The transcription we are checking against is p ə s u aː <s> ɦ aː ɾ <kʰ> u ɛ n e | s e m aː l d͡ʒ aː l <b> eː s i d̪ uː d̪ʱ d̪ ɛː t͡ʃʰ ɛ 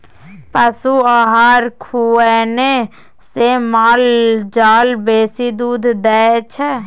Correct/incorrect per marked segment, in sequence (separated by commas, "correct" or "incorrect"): incorrect, correct, correct